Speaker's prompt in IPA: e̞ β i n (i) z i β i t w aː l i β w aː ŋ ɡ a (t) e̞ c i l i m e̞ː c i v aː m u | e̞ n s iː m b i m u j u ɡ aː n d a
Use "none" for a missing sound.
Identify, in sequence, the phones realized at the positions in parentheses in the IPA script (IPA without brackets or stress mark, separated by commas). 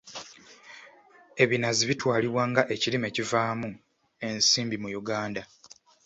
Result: a, ʔ